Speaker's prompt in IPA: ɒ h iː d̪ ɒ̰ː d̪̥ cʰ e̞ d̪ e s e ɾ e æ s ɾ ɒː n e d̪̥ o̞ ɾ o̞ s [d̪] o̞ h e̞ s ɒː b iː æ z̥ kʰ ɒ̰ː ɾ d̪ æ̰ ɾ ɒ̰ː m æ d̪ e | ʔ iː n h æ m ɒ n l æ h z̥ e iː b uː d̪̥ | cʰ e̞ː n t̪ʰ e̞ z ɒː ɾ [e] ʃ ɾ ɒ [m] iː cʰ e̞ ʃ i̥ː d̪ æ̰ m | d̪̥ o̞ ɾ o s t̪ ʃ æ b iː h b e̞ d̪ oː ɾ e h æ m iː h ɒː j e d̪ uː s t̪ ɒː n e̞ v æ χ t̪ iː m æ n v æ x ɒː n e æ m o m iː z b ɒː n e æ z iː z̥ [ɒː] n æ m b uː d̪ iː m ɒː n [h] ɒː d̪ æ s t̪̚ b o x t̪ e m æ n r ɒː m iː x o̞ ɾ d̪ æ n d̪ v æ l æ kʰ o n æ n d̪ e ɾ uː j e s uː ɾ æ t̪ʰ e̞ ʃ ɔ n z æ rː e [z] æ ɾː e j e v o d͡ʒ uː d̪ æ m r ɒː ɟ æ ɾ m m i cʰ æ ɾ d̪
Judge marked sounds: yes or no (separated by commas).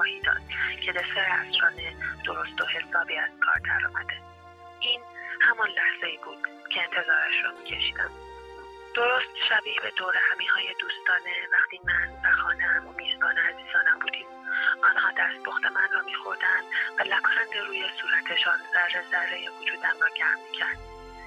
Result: no, no, yes, yes, yes, yes